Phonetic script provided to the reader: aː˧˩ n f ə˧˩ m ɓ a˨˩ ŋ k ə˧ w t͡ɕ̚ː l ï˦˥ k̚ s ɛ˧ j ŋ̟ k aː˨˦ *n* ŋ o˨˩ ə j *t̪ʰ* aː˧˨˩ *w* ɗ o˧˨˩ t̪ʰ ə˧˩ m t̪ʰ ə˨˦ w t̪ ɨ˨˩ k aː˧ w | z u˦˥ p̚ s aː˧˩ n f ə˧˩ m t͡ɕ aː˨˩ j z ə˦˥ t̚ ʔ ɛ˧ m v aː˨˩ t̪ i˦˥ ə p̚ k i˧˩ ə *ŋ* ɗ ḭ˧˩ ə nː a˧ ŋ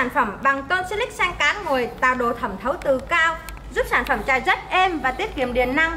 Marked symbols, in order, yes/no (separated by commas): yes, no, yes, no